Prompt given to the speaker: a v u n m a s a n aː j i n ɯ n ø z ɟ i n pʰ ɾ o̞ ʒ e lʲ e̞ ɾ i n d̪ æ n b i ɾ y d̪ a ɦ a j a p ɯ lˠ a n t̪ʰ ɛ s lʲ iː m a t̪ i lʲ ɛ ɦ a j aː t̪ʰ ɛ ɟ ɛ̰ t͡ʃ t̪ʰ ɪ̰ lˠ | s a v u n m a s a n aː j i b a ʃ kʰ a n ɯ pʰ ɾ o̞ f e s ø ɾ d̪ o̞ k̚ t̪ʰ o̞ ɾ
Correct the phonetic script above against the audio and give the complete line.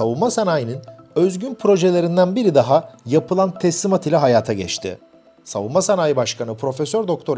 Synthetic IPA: a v u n m a s a n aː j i n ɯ n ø z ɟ y n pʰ ɾ o̞ ʒ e lʲ e̞ ɾ i n d̪ æ n b i ɾ i d̪ a ɦ a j a p ɯ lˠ a n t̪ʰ ɛ s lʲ i m a t̪ i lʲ ɛ ɦ a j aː t̪ʰ a ɟ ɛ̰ t͡ʃ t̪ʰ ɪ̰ | s a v u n m a s a n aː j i b a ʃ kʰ a n ɯ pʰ ɾ o̞ f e s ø ɾ d̪ o̞ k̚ t̪ʰ o̞ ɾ